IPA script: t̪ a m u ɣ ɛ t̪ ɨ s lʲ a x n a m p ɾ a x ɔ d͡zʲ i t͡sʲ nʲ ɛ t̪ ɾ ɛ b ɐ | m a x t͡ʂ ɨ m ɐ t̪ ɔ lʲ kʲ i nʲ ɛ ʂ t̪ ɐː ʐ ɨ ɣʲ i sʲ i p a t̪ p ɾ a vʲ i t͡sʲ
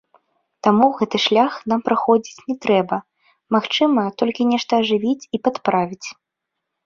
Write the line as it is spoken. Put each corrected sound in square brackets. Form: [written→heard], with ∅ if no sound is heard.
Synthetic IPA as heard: t̪ a m u ɣ ɛ t̪ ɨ [s→ʂ] lʲ a x n a m p ɾ a x ɔ d͡zʲ i t͡sʲ nʲ ɛ t̪ ɾ ɛ b ɐ | m a x t͡ʂ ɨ m ɐ t̪ ɔ lʲ kʲ i nʲ ɛ ʂ t̪ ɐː ʐ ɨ [ɣʲ→vʲ] i [sʲ→t͡sʲ] i p a t̪ p ɾ a vʲ i t͡sʲ